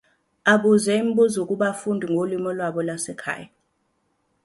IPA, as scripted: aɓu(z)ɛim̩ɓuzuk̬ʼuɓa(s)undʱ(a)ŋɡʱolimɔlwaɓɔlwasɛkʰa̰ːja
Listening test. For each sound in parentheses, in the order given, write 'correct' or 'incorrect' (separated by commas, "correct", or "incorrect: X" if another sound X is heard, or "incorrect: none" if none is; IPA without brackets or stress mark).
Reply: correct, incorrect: f, incorrect: i